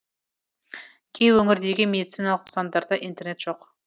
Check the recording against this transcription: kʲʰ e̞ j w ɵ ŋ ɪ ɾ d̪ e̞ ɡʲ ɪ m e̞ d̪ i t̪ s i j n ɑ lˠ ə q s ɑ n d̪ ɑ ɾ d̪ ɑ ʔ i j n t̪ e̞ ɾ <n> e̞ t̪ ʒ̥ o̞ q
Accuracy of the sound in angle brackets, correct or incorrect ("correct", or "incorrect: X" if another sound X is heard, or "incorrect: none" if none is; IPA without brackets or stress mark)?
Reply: correct